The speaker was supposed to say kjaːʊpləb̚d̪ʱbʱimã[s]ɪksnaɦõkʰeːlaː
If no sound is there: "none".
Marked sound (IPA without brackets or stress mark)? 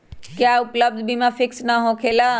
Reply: f